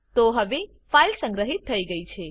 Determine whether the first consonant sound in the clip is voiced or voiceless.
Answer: voiceless